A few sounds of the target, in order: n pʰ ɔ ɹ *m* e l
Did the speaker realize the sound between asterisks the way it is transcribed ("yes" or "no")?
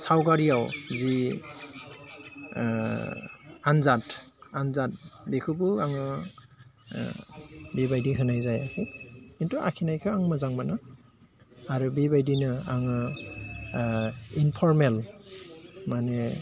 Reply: yes